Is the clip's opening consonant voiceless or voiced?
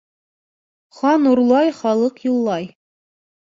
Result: voiceless